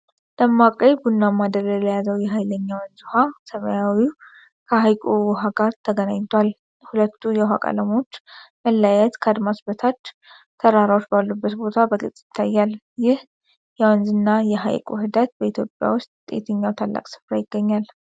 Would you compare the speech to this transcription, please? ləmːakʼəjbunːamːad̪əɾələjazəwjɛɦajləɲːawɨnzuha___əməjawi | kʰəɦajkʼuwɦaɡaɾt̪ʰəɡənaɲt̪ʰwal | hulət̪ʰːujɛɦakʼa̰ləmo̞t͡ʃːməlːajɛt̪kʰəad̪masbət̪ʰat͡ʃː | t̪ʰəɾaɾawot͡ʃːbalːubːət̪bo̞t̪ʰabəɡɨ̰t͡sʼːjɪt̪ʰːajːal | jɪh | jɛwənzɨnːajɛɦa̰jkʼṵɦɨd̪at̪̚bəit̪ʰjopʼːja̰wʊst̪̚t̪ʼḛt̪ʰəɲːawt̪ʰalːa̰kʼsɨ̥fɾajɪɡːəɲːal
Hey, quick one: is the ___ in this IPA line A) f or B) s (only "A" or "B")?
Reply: B